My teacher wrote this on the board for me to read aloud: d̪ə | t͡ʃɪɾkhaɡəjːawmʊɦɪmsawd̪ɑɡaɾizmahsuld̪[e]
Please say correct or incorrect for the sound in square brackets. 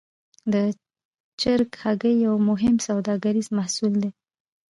correct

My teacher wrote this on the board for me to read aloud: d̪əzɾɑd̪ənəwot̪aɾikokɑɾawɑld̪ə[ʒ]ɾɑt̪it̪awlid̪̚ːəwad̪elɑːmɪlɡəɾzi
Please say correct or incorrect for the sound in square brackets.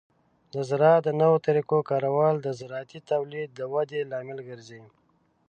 incorrect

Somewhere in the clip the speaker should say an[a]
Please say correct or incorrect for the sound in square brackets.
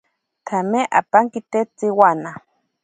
correct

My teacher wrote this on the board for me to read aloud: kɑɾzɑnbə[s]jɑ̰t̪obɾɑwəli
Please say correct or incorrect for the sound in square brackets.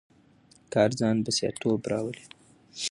correct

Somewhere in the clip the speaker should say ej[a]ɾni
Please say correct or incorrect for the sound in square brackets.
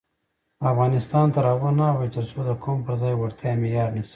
incorrect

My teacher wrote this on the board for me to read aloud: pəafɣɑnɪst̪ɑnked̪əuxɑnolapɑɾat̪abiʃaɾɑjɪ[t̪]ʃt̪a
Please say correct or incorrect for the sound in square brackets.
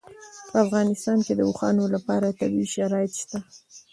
correct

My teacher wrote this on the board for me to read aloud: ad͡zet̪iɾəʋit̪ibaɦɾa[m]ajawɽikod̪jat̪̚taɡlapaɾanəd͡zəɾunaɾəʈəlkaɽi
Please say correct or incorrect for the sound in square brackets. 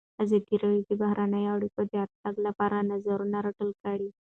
incorrect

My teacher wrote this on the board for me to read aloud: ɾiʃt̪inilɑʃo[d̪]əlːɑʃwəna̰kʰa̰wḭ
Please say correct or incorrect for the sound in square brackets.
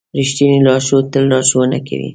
incorrect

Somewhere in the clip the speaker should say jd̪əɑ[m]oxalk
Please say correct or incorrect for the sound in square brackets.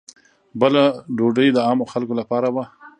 correct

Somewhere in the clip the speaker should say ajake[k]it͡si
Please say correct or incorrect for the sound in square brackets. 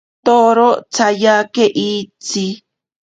incorrect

